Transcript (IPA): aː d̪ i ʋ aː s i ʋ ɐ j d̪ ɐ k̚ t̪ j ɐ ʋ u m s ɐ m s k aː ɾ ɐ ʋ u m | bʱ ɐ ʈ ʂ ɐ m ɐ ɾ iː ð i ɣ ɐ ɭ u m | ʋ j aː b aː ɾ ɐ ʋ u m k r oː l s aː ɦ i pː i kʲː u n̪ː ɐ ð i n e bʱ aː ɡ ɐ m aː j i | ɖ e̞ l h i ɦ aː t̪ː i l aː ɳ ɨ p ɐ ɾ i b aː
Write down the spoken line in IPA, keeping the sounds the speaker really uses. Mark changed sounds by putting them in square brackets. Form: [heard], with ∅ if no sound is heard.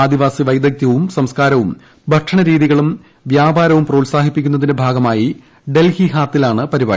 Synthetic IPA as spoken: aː d̪ i ʋ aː s i ʋ ɐ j d̪ ɐ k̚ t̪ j ɐ ʋ u m s ɐ m s k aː ɾ ɐ ʋ u m | bʱ ɐ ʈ ʂ ɐ [ɳ] ɐ ɾ iː ð i ɣ ɐ ɭ u m | ʋ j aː b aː ɾ ɐ ʋ u m [p] r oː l s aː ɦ i pː i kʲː u n̪ː ɐ ð i n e bʱ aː ɡ ɐ m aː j i | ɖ e̞ l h i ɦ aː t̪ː i l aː ɳ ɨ p ɐ ɾ i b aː